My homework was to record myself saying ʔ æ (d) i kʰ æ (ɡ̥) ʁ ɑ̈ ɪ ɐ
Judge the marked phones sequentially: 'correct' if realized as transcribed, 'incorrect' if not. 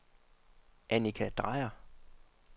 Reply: incorrect, incorrect

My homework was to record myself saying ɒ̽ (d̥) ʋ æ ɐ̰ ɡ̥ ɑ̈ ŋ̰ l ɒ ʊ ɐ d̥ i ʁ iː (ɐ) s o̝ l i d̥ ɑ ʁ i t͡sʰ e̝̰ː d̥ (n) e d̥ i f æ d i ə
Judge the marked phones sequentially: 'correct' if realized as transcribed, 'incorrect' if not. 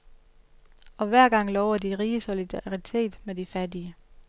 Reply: incorrect, incorrect, incorrect

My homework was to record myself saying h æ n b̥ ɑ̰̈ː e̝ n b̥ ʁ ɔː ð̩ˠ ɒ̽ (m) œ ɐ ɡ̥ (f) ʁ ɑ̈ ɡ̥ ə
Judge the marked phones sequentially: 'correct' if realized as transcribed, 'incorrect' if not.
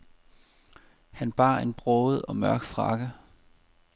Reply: correct, correct

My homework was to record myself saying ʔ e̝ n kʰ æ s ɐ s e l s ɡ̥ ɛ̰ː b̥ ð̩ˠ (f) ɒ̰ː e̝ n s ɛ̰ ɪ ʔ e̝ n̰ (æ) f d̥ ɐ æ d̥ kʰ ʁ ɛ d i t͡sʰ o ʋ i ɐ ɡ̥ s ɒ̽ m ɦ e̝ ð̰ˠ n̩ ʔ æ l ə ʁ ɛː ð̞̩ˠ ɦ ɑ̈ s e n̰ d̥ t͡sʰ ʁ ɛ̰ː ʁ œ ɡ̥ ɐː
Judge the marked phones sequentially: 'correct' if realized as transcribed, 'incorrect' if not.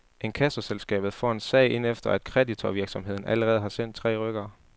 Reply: correct, incorrect

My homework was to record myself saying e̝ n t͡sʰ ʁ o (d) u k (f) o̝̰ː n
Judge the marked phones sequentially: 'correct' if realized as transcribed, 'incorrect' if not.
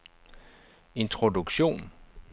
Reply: correct, incorrect

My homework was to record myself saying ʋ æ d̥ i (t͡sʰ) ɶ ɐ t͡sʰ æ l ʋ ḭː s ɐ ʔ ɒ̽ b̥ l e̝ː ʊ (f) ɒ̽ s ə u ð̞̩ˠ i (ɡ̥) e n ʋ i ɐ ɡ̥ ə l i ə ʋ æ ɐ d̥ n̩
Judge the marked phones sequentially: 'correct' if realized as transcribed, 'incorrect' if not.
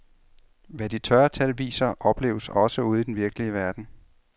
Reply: correct, incorrect, incorrect

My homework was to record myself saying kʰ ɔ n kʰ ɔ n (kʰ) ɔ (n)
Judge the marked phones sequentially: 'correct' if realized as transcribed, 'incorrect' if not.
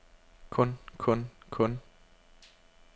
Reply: correct, correct

